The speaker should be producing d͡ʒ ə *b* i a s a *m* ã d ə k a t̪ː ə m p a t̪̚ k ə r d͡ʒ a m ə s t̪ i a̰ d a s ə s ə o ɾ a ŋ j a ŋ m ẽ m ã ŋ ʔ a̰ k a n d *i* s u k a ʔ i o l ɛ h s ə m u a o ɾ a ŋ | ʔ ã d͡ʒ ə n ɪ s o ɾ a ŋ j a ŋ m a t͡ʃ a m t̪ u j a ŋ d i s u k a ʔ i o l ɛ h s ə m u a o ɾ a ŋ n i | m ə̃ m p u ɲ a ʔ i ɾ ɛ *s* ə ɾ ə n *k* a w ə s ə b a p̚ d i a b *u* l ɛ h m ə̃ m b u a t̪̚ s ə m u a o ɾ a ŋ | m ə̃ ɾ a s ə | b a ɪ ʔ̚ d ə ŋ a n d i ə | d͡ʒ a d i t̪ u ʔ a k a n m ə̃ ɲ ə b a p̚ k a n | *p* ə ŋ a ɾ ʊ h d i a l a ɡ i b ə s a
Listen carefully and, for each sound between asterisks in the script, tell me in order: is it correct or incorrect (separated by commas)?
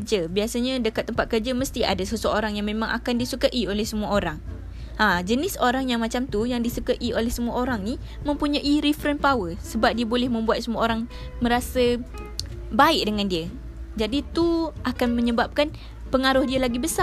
correct, incorrect, correct, incorrect, incorrect, incorrect, correct